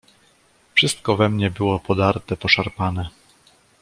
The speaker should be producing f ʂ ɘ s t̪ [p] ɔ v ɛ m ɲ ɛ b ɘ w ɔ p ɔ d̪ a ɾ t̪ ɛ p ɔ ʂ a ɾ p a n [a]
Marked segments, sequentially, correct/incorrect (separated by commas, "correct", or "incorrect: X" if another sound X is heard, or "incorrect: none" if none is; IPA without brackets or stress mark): incorrect: k, incorrect: ɛ